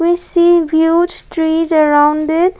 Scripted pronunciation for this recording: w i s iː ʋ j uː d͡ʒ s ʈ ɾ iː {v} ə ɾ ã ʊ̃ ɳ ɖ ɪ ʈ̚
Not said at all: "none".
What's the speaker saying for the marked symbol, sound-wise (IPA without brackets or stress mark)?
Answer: z